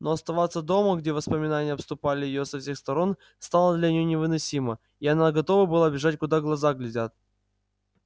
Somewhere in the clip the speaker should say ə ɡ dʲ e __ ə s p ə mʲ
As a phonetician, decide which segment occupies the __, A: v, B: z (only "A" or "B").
A